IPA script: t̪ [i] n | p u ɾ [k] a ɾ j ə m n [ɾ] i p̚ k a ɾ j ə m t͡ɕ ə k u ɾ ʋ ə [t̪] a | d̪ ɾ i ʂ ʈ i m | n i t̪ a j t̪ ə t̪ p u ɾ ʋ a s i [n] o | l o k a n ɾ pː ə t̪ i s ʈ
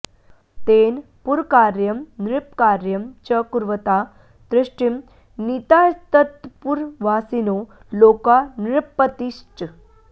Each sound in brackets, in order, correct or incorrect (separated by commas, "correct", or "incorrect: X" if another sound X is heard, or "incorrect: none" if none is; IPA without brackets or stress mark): incorrect: e, correct, correct, correct, correct